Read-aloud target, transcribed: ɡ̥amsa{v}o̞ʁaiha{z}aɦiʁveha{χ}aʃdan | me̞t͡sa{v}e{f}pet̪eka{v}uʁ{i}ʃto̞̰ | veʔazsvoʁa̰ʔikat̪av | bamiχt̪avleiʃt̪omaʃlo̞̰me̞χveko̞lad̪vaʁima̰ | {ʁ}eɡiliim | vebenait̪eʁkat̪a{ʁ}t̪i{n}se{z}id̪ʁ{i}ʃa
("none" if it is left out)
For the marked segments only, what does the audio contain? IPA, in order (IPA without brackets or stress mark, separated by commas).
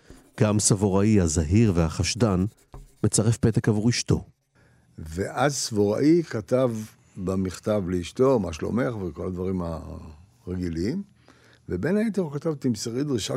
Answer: v, z, χ, ʁ, f, v, i, ʁ, v, m, ʁ, i